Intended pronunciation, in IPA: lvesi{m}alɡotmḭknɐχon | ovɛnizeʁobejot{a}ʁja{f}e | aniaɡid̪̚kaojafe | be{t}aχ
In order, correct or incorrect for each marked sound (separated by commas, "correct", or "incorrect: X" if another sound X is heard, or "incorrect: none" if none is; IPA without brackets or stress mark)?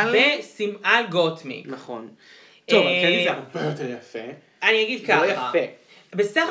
correct, incorrect: e, correct, incorrect: s